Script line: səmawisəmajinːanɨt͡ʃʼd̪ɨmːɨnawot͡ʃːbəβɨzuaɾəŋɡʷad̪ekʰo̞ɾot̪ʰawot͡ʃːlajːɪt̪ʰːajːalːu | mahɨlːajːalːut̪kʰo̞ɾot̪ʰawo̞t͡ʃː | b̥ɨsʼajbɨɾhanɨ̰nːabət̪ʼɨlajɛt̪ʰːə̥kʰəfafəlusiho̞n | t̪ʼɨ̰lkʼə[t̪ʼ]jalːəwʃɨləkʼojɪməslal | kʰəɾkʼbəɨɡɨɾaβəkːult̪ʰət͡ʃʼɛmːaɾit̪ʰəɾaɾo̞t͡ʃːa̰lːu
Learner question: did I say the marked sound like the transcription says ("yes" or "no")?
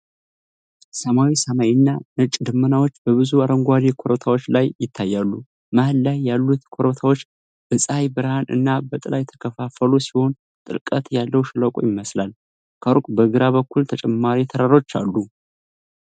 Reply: no